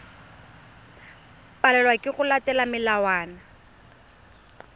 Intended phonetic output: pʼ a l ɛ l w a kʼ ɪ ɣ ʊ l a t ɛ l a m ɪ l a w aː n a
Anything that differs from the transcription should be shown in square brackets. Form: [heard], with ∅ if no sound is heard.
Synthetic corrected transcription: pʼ a l ɛ l w a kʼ ɪ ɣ ʊ l a t ɛ l a m ɪ l a w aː n a